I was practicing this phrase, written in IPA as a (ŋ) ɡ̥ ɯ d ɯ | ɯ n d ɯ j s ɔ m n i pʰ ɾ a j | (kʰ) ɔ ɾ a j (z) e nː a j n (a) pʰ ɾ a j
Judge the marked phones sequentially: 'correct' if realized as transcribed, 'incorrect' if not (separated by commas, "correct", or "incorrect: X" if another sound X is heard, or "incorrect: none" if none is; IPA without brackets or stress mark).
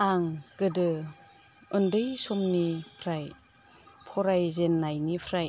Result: correct, incorrect: pʰ, correct, incorrect: i